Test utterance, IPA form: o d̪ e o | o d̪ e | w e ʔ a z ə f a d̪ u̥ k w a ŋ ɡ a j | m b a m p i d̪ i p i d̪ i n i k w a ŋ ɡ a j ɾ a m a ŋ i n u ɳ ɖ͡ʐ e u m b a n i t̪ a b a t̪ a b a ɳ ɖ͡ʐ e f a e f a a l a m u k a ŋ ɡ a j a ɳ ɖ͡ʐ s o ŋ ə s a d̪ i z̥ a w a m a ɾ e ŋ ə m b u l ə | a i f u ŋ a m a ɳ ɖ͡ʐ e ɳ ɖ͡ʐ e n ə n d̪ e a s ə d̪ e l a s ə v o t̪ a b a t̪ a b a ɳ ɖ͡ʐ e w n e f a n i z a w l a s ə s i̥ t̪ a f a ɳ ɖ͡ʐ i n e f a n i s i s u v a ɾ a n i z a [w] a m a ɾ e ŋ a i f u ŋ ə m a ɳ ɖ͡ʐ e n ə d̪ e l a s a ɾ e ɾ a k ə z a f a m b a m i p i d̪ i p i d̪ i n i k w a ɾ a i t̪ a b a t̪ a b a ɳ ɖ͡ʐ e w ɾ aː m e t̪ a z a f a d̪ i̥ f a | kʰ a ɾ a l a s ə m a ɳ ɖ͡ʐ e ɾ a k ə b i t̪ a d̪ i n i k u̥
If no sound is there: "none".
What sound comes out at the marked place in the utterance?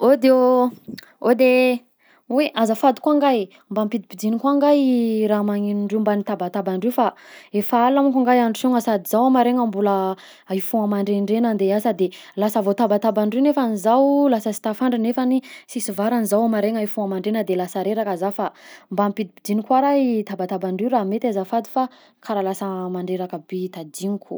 w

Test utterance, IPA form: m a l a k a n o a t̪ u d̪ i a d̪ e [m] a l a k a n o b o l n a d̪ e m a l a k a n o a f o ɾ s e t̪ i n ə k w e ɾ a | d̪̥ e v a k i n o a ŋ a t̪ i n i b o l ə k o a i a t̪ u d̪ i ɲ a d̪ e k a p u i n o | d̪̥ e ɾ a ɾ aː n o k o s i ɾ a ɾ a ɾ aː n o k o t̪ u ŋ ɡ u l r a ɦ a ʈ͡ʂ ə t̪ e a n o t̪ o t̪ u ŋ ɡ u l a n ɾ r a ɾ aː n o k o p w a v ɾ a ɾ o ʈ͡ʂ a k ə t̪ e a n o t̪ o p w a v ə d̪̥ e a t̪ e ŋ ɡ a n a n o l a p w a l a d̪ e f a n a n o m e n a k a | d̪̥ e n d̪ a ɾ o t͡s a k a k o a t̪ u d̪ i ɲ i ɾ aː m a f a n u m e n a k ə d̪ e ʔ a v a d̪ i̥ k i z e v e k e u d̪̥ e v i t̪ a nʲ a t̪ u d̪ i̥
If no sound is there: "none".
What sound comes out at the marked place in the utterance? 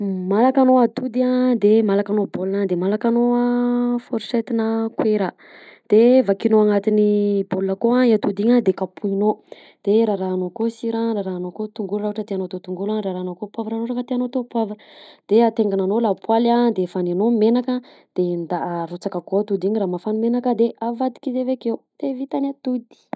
m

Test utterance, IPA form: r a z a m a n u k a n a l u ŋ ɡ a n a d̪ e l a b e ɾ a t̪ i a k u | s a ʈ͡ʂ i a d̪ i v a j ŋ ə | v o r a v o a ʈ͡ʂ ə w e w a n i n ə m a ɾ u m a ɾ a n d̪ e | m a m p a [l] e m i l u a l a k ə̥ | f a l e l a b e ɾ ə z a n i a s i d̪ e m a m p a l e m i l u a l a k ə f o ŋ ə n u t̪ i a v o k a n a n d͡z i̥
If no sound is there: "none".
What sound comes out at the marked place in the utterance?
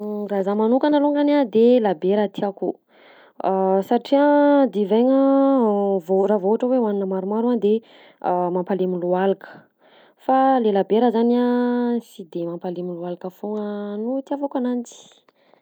l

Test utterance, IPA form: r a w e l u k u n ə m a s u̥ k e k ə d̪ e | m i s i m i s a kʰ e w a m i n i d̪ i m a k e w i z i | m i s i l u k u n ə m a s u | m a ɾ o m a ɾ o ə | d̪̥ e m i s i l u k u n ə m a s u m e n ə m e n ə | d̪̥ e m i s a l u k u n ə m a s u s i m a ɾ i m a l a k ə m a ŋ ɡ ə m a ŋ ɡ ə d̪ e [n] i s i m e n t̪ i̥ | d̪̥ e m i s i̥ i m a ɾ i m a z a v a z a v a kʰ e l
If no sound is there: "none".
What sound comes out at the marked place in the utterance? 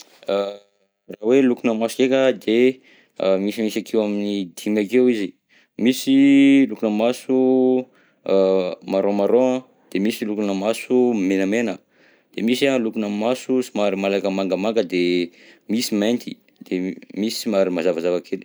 m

